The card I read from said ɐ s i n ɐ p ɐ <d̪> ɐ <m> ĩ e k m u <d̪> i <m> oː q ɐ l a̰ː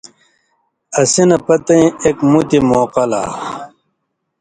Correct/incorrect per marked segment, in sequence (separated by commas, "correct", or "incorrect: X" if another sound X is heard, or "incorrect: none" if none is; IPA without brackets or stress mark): incorrect: t̪, incorrect: none, incorrect: t̪, correct